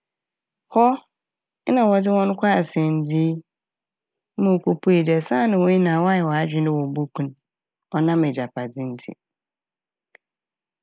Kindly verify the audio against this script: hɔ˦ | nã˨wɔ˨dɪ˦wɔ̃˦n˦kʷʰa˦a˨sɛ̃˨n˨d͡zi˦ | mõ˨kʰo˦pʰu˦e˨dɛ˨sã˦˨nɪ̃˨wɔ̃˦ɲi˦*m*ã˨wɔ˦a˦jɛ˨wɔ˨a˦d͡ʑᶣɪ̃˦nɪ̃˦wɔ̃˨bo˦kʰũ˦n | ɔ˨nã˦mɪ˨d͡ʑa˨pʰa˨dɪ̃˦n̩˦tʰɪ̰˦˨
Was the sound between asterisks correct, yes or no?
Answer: no